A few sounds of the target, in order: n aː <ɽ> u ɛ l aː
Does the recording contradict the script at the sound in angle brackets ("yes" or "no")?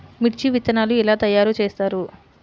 yes